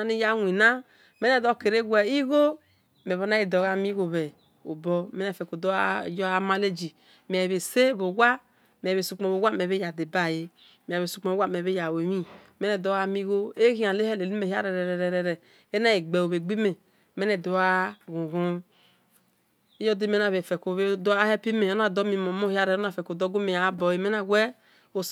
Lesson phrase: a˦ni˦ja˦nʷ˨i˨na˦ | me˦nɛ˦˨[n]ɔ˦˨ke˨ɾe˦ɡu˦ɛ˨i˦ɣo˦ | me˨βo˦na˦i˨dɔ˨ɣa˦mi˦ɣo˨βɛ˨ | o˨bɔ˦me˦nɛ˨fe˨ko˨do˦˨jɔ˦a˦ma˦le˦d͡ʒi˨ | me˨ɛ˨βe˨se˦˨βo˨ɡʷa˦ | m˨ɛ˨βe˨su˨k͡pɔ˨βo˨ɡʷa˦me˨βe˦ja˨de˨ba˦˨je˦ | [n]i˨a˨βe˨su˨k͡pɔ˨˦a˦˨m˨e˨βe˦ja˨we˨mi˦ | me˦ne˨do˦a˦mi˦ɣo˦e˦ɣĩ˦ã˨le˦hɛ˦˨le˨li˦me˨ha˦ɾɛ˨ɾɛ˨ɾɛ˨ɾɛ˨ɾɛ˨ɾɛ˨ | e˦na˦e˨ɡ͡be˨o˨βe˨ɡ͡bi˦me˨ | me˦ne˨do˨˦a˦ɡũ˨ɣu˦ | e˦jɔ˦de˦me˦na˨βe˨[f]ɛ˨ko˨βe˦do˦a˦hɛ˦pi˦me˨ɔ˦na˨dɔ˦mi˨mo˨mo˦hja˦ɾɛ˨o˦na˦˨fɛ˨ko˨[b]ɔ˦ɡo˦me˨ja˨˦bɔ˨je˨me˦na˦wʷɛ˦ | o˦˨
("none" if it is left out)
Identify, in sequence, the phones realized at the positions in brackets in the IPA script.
d, m, f, d

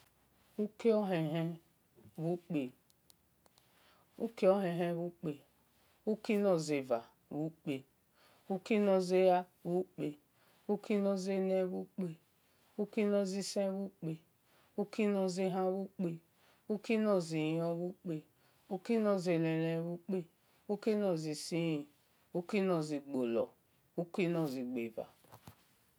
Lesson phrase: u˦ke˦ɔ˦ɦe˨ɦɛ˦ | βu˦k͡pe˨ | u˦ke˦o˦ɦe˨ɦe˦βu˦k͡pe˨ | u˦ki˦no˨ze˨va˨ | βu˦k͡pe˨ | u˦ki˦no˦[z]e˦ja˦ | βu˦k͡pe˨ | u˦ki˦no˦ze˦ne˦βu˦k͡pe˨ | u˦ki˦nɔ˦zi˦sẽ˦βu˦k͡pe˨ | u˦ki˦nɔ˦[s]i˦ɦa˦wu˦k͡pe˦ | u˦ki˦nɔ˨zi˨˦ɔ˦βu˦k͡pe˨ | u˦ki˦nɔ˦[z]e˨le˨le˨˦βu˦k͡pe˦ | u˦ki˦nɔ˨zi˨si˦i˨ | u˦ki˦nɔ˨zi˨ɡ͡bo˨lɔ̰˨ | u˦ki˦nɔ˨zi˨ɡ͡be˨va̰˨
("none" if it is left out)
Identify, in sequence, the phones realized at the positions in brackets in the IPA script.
z, z, z

